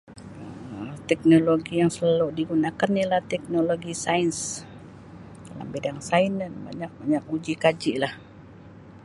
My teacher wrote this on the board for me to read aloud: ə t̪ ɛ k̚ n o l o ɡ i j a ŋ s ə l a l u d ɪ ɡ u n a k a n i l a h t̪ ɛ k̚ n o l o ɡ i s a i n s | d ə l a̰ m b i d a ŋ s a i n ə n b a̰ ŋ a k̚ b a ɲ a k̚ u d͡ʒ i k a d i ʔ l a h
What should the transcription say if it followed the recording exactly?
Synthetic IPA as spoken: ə t̪ ɛ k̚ n o l o ɡ i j a ŋ s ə l a l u d i ɡ u n a k a n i l a h t̪ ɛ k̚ n o l o ɡ i s a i n s | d a l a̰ m b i d a ŋ s a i n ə n b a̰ ɲ a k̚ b a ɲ a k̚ u d͡ʒ i k a d͡ʒ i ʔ l a h